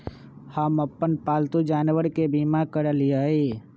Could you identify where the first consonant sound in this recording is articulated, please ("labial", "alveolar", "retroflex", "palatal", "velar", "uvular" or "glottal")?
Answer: glottal